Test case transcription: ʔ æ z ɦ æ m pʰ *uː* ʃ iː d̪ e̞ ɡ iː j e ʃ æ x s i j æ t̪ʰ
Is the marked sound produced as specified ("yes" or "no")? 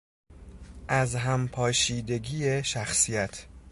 no